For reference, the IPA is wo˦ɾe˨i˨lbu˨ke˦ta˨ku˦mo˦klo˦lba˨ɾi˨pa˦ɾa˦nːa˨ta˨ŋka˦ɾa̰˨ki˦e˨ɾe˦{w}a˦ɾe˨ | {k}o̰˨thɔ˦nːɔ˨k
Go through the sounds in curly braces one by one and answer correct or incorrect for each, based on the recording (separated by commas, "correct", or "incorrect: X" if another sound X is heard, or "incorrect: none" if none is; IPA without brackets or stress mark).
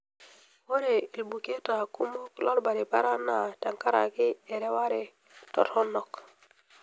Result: correct, incorrect: t